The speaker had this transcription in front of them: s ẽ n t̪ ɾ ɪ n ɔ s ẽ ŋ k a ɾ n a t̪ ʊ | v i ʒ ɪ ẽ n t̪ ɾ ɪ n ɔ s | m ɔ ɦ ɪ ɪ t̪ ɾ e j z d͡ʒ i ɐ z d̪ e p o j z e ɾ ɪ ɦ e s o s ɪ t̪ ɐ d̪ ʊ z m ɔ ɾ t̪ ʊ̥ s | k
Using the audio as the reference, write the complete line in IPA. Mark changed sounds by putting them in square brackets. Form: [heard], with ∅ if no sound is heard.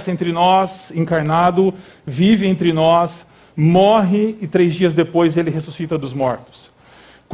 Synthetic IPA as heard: s ẽ n t̪ ɾ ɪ n ɔ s ẽ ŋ k a ɾ n a [d̪] ʊ | v i [v] ɪ ẽ n t̪ ɾ ɪ n ɔ s | m ɔ ɦ ɪ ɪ t̪ ɾ e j z d͡ʒ i ɐ z d̪ e p o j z e [l] ɪ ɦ e s [u] s [i] t̪ ɐ d̪ ʊ z m ɔ ɾ t̪ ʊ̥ s | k